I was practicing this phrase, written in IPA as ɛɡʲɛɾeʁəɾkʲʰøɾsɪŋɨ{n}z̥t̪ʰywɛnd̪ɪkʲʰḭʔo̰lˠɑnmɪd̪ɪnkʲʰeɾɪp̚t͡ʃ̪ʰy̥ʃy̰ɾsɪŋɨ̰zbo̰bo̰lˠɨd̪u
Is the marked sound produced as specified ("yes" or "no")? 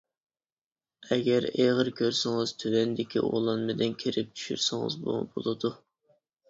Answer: no